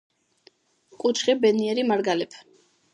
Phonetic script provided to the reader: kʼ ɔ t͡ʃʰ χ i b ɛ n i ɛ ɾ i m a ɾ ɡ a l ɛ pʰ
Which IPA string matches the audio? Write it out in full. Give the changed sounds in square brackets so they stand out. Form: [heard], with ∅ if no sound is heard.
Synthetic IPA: kʼ [u] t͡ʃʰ χ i b ɛ n i ɛ ɾ i m a ɾ ɡ a l ɛ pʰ